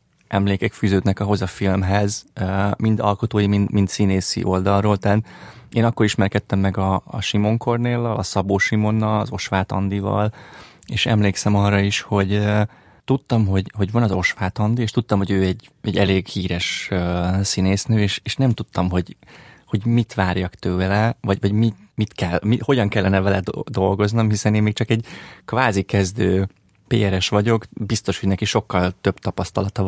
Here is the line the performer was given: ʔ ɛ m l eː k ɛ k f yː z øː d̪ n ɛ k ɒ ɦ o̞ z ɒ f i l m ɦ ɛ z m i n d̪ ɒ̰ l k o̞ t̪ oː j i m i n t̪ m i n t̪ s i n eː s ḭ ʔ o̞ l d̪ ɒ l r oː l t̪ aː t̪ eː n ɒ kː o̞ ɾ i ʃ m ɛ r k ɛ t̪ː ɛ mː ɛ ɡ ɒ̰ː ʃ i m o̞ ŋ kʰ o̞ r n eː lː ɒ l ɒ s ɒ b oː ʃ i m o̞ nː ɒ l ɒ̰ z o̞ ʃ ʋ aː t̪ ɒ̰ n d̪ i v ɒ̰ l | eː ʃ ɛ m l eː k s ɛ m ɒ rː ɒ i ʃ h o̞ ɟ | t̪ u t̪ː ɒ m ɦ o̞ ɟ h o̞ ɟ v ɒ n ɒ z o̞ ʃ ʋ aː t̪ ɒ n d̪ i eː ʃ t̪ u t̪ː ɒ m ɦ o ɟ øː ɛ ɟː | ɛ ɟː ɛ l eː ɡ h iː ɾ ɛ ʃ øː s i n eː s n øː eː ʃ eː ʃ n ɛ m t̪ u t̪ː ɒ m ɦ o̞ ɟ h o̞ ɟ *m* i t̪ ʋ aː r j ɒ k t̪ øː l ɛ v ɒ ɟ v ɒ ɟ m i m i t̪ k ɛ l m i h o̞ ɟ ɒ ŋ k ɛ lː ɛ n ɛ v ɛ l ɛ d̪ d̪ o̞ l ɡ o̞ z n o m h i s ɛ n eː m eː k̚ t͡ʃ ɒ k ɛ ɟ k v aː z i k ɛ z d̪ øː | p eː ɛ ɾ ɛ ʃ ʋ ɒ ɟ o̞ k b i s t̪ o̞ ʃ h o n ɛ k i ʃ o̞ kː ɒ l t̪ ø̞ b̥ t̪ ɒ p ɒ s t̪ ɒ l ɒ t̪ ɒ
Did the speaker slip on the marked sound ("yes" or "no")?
no